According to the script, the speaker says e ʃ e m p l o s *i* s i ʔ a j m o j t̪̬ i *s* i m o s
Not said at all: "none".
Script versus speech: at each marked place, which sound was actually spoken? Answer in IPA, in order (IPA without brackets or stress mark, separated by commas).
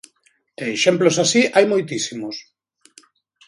a, s